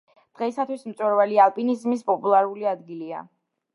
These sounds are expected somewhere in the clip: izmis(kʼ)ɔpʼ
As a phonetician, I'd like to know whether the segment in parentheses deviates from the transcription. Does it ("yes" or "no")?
yes